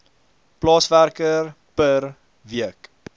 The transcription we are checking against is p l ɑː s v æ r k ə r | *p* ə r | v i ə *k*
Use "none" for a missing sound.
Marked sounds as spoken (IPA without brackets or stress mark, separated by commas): p, k